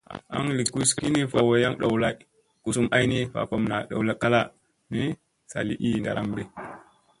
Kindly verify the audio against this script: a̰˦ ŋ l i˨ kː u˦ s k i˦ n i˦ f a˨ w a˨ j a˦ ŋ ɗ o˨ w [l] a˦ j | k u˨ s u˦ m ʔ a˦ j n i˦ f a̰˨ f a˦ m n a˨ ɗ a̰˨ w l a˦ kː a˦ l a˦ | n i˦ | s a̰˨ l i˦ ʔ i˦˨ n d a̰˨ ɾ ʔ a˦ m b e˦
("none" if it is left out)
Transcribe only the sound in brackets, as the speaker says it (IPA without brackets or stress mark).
l